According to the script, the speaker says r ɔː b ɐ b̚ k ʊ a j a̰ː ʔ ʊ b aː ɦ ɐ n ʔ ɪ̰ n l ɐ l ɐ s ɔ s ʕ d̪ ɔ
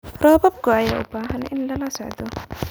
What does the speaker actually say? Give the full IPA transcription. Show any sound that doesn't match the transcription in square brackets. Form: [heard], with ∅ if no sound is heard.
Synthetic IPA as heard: r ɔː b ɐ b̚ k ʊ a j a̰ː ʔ ʊ b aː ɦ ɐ n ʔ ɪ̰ n l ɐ l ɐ s ɔ [∅] ʕ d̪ ɔ